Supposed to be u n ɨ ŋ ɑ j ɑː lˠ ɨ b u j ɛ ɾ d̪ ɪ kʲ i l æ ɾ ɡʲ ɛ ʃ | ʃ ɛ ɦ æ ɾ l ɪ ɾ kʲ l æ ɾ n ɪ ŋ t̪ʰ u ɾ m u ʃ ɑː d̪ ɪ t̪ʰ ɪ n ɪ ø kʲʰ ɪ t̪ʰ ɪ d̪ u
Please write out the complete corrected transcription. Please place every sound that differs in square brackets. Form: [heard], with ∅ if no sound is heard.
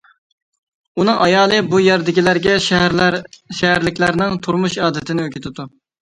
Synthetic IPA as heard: u n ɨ ŋ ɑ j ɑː lˠ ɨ b u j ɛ ɾ d̪ ɪ kʲ i l æ ɾ ɡʲ ɛ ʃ | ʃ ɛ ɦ æ ɾ l ɪ [∅] kʲ l æ ɾ n ɪ ŋ t̪ʰ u ɾ m u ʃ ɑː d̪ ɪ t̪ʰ ɪ n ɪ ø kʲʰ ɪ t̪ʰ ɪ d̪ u